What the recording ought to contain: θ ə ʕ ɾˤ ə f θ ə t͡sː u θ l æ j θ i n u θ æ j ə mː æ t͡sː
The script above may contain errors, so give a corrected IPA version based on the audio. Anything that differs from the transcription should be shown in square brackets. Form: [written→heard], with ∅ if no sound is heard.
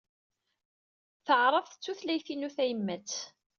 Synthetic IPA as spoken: θ ə ʕ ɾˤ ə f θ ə t͡sː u θ l æ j θ i n u θ æ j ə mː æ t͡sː